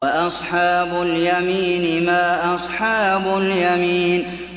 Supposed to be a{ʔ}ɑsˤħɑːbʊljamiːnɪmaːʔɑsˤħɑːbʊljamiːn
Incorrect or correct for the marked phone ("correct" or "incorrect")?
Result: correct